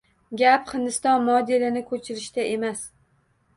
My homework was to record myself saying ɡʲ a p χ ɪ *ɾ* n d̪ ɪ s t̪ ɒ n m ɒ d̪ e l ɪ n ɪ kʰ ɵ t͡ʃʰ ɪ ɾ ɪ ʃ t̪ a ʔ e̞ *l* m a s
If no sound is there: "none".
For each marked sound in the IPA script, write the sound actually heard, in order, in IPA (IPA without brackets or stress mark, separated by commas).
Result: none, none